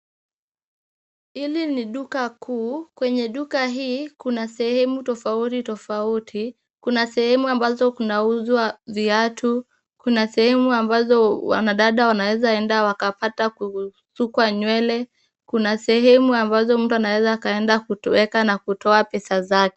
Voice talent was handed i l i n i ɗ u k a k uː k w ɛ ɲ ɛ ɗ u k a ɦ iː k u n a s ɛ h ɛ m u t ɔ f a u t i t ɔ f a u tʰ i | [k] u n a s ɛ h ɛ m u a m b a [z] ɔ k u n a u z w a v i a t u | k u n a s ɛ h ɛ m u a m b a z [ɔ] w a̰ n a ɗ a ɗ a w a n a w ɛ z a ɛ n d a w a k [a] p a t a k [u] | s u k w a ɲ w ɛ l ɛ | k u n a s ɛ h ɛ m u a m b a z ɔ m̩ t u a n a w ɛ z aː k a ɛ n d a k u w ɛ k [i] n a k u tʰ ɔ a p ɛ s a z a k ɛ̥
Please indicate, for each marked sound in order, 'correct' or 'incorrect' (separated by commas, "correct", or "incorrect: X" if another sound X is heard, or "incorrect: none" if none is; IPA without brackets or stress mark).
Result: correct, correct, correct, correct, correct, incorrect: a